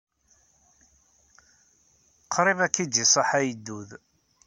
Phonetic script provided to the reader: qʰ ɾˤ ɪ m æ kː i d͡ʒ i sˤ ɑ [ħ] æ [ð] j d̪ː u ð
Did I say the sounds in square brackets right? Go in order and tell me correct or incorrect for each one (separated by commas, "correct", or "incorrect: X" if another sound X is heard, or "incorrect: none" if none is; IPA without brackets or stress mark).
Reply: correct, incorrect: none